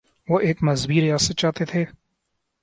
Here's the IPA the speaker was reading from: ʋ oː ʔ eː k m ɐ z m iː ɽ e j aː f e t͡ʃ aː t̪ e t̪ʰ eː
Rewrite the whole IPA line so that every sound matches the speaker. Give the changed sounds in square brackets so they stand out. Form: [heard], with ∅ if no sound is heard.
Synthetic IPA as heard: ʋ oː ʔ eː k m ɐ z [b] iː [ɾ] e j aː [s] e t͡ʃ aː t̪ e t̪ʰ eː

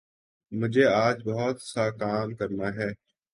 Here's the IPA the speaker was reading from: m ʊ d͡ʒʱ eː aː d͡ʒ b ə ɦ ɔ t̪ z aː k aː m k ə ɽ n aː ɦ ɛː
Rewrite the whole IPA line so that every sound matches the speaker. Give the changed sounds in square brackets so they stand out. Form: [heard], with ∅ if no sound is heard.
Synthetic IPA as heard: m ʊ d͡ʒʱ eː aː d͡ʒ b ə ɦ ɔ t̪ [s] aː k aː m k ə [ɾ] n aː ɦ ɛː

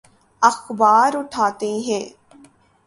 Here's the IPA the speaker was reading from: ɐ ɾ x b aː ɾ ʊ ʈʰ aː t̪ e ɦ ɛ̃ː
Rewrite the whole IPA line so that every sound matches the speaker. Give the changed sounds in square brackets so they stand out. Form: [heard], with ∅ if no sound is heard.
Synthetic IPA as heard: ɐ [∅] x b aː ɾ ʊ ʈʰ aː t̪ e ɦ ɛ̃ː

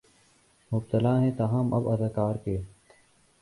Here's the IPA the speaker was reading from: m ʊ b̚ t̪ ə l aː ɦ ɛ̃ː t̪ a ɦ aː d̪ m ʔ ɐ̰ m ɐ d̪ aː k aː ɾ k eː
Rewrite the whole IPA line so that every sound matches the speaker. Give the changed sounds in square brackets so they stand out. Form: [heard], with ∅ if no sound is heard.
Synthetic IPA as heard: m ʊ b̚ t̪ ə l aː ɦ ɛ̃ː t̪ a ɦ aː [∅] m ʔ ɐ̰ [b] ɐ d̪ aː k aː ɾ k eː

